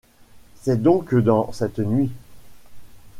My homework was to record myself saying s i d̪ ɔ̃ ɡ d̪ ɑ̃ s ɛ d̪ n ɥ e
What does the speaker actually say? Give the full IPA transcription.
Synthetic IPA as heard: s ɛ d̪ ɔ̃ k d̪ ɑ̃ s ɛ t̪ n ɥ i